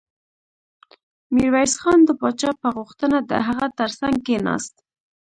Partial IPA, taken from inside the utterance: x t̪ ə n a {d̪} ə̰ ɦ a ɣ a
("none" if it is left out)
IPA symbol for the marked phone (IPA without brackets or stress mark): d̪